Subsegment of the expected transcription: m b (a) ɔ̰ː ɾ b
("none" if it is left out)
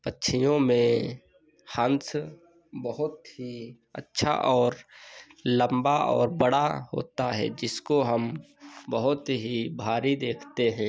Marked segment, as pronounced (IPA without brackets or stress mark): a